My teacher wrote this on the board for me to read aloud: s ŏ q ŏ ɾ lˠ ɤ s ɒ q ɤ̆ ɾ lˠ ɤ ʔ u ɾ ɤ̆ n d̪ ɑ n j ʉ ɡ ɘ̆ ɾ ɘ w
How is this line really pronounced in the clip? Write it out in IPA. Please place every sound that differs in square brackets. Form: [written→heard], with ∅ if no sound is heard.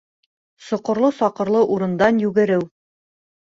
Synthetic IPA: s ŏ q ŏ ɾ lˠ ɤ s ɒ q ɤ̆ ɾ lˠ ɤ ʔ u ɾ ɤ̆ n d̪ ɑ n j ʉ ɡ ɘ̆ ɾ ɘ w